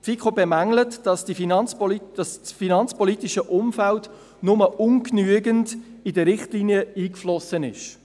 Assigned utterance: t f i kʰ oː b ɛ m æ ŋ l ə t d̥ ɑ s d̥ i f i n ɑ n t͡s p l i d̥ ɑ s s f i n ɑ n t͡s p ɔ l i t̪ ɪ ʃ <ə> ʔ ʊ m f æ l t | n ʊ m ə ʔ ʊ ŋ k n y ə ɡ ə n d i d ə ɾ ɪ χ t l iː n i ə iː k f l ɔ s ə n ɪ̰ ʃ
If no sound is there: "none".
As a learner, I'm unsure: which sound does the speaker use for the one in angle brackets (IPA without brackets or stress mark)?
ə